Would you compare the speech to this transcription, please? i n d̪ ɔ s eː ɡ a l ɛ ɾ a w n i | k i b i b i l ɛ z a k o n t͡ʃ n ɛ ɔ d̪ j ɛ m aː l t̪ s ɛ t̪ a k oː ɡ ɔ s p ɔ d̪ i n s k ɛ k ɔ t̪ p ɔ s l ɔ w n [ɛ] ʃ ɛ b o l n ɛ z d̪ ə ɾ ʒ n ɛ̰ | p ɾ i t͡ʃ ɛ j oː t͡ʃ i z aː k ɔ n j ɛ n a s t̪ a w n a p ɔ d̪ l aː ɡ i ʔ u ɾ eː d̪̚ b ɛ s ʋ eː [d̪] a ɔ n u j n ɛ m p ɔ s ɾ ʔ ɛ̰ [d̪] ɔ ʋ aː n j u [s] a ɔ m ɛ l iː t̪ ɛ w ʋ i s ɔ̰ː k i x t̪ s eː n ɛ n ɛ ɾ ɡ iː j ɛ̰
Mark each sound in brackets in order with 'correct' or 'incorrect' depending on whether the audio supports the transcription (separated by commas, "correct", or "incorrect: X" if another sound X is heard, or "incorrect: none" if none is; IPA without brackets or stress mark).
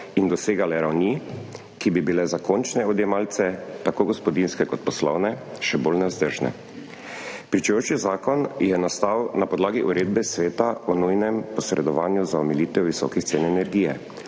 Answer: correct, incorrect: t̪, correct, incorrect: z